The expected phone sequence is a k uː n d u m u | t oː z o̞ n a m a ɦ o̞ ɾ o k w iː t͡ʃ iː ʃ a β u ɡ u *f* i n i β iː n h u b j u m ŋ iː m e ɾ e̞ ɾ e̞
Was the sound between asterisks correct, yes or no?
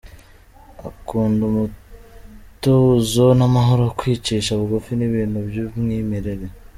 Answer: yes